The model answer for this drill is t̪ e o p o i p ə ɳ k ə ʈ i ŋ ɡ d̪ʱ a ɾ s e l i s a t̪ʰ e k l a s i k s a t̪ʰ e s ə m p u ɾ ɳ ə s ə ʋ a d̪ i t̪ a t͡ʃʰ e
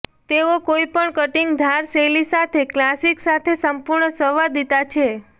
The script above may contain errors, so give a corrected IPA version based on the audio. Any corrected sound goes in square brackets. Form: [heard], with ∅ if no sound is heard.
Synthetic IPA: t̪ e o [k] o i p ə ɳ k ə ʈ i ŋ ɡ d̪ʱ a ɾ s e l i s a t̪ʰ e k l a s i k s a t̪ʰ e s ə m p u ɾ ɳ ə s ə ʋ a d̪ i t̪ a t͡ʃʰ e